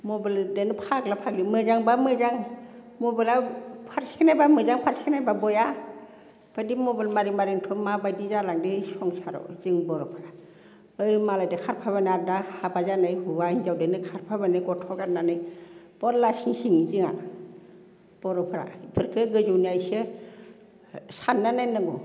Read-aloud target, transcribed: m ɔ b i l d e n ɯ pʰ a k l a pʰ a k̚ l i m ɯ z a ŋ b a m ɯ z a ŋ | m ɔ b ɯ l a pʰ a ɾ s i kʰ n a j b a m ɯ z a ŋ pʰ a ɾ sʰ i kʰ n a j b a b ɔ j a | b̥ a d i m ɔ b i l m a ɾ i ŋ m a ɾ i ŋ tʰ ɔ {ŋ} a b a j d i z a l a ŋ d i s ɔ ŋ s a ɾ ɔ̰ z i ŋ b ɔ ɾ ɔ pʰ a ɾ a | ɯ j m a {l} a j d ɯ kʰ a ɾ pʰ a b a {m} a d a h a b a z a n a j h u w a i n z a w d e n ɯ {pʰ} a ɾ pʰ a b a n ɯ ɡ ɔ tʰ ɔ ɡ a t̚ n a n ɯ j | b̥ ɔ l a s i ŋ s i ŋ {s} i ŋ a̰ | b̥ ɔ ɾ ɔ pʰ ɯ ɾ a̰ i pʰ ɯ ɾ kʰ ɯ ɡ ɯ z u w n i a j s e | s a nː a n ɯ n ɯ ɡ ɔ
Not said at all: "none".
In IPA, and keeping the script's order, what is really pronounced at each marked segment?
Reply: m, l, n, kʰ, z

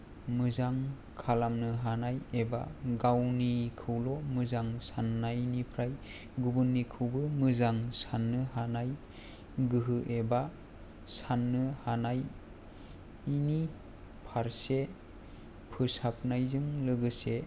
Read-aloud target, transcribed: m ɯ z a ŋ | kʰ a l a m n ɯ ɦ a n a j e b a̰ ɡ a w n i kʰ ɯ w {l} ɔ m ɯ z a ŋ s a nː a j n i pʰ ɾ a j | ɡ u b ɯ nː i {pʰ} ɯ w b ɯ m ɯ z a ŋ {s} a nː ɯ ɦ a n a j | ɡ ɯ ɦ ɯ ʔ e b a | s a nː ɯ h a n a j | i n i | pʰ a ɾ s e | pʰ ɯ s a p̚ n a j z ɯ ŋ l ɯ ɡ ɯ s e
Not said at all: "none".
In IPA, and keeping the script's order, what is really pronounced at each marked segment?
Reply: l, kʰ, s

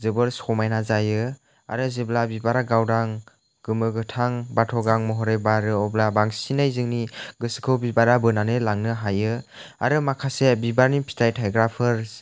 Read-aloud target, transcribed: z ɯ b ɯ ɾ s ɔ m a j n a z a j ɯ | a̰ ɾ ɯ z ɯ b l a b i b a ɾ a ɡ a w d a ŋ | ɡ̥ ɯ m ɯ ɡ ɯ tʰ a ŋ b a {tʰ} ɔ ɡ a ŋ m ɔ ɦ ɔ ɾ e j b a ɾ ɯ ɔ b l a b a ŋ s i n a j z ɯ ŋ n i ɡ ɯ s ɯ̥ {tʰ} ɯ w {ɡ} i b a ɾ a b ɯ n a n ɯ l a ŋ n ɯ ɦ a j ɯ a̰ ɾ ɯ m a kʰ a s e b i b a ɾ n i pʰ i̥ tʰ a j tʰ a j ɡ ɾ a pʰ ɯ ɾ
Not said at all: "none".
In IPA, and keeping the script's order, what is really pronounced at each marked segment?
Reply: tʰ, kʰ, b

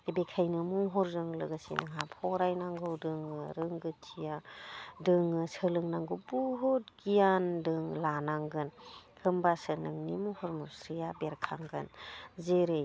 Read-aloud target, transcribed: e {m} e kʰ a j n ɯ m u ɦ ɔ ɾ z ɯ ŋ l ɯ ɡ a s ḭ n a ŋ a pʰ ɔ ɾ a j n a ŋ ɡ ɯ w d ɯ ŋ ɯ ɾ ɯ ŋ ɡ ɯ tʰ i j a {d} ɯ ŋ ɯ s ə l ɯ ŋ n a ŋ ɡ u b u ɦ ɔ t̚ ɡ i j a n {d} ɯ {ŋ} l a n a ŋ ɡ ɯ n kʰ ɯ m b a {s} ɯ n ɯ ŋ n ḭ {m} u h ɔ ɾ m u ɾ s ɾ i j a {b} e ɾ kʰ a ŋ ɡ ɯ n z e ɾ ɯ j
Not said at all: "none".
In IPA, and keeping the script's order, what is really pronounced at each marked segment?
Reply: b, d, d, ŋ, s, m, b

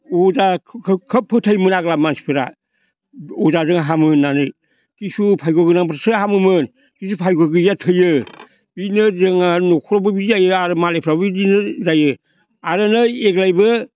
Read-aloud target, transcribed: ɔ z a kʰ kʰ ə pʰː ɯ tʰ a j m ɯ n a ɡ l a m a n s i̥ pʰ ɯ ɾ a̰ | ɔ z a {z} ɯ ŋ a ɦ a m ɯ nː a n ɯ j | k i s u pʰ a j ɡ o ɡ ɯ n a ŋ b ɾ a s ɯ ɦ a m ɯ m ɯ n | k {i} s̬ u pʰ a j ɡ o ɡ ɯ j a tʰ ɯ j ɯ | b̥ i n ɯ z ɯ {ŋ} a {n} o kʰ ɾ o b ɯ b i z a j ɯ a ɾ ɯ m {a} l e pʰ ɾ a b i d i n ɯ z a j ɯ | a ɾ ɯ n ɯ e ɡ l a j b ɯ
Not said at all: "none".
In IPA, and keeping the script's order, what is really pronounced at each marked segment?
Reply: z, i, ŋ, n, a

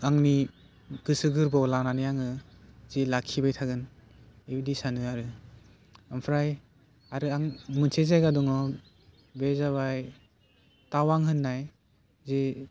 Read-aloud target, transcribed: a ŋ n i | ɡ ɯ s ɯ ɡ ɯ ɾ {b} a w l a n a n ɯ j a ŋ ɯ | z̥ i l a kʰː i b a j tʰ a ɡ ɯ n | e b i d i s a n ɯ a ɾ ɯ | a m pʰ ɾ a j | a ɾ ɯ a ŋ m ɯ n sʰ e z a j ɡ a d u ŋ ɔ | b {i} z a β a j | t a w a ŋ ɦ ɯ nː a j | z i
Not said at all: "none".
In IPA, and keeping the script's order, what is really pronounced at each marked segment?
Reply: b, e

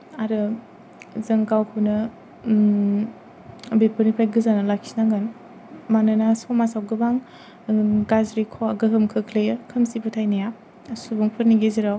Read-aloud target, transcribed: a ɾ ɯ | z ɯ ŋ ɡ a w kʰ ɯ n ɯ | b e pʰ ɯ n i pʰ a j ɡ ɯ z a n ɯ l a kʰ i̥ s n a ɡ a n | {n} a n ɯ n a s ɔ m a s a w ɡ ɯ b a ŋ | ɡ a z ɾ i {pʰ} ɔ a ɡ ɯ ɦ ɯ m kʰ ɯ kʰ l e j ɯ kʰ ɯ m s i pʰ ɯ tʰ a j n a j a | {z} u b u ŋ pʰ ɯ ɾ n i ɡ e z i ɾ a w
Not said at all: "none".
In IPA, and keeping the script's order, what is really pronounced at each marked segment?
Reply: m, kʰ, s

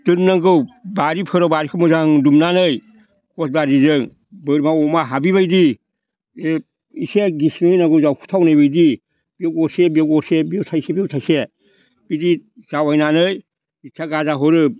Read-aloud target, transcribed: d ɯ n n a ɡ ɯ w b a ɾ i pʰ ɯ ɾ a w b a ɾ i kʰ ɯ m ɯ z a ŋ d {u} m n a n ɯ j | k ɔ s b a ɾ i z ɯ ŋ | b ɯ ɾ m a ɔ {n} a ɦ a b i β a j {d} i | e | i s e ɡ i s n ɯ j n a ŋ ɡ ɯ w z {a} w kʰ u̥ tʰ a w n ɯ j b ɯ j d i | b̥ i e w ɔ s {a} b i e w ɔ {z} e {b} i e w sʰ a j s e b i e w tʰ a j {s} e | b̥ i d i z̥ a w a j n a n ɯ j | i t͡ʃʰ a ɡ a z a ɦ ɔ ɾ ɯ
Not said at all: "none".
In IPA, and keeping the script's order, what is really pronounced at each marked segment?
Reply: u, m, d, a, e, s, b, s

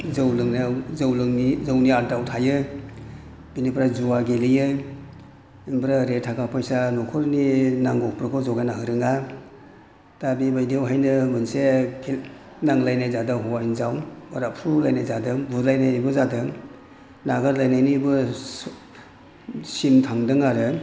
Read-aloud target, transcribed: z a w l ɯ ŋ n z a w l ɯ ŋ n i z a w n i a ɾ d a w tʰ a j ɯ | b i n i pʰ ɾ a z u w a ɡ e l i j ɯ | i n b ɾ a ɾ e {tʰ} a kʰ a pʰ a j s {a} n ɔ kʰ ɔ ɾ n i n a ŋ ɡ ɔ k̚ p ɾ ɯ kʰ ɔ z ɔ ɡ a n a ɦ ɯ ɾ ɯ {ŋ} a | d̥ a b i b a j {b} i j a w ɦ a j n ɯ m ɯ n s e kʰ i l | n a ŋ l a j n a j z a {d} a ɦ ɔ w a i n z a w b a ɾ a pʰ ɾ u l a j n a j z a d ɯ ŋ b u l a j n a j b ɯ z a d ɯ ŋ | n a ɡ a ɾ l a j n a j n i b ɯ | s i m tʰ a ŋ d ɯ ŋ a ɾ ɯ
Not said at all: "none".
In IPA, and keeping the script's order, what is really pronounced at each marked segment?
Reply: tʰ, a, ŋ, d, d

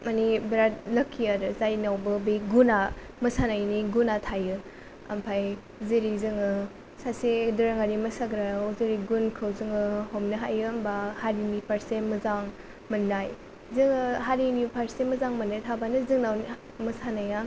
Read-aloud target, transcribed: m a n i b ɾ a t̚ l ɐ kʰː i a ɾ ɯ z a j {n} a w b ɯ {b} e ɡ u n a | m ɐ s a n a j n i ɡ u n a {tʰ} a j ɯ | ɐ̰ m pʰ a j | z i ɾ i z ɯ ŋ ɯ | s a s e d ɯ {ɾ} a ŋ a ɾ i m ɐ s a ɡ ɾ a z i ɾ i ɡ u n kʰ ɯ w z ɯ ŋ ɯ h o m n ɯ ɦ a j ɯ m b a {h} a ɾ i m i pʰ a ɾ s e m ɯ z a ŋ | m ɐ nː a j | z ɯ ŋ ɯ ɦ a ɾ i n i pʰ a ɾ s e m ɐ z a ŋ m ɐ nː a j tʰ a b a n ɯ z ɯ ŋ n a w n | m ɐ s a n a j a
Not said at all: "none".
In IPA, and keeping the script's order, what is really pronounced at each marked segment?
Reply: n, b, tʰ, ɾ, h

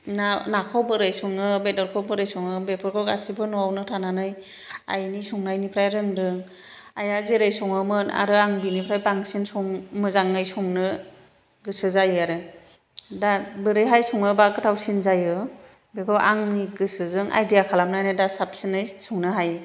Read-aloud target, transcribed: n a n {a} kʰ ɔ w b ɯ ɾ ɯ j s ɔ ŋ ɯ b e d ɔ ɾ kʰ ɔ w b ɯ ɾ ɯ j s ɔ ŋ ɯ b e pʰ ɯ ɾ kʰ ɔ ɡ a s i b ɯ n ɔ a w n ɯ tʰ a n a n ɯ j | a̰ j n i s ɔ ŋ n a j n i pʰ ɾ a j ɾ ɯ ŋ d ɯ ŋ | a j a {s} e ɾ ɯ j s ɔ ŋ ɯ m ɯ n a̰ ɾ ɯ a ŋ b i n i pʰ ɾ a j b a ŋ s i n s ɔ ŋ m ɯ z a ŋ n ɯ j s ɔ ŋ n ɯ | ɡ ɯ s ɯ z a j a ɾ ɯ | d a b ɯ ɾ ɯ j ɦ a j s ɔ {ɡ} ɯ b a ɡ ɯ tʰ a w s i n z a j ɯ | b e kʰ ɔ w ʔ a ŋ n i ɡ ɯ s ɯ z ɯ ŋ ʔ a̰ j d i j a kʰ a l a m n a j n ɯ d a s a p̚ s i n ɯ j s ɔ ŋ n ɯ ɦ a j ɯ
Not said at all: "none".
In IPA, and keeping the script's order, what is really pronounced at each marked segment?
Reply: a, z, ŋ

